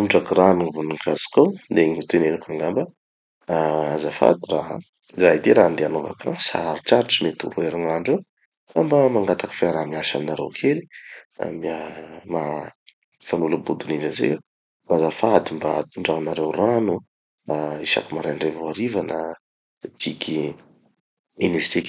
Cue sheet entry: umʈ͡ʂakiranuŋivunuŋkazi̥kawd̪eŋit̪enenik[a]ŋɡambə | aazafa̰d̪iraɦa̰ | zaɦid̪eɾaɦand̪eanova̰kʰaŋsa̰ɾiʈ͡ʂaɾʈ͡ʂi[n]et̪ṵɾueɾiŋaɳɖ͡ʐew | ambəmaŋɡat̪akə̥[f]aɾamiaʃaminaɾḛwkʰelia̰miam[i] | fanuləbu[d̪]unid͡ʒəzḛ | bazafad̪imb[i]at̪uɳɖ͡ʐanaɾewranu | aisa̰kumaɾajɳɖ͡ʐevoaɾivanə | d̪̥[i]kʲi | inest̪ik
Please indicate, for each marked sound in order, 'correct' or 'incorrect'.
correct, incorrect, correct, incorrect, correct, incorrect, correct

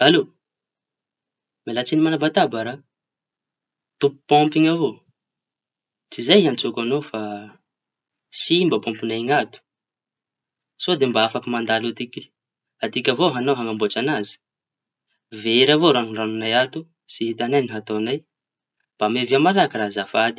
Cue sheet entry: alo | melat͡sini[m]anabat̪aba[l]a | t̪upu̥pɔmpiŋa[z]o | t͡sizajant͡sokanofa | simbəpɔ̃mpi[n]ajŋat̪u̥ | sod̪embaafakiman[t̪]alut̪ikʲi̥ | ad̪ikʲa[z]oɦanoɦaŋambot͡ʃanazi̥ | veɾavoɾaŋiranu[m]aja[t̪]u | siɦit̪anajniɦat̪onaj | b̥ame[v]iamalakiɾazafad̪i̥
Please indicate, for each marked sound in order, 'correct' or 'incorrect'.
correct, incorrect, incorrect, correct, incorrect, incorrect, incorrect, correct, correct

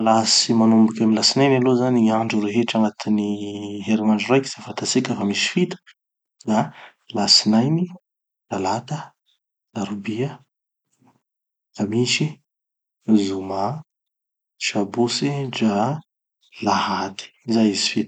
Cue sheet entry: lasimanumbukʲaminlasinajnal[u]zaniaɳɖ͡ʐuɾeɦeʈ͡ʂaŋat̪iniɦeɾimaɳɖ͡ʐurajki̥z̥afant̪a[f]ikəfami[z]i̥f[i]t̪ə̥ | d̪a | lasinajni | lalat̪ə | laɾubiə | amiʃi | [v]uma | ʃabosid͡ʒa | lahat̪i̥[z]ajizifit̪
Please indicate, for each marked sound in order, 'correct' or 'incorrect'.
incorrect, incorrect, incorrect, correct, incorrect, correct

